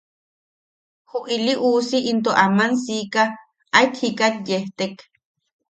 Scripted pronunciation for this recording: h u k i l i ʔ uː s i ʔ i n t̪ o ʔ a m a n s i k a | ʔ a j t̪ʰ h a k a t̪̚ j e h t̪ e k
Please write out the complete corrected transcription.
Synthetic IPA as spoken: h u ʔ i l i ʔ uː s i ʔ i n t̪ o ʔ a m a n s i k a | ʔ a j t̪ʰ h i k a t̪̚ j e h t̪ e k